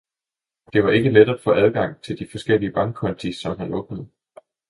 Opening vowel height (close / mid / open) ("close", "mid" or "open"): mid